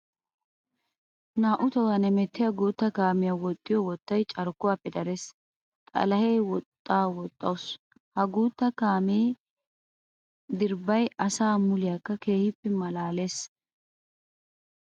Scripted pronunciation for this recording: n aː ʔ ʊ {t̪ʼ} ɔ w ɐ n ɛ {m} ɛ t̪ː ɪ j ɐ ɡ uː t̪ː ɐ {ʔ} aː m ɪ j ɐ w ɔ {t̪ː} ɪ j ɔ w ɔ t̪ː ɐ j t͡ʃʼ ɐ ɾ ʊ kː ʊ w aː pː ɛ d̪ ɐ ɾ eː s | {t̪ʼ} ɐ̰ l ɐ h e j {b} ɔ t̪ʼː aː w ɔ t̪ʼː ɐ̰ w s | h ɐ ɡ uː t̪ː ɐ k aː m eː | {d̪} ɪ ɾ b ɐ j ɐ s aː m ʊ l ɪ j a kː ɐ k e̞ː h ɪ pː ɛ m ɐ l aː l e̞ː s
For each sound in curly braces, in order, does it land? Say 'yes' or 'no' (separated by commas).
no, yes, no, no, yes, no, yes